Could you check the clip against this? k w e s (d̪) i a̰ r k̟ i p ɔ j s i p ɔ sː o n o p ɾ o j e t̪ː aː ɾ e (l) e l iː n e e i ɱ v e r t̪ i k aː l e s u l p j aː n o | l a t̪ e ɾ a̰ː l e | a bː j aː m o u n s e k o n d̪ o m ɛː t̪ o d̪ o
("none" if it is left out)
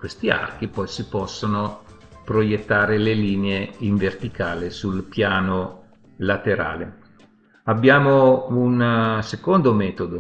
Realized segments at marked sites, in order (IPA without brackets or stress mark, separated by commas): t̪, l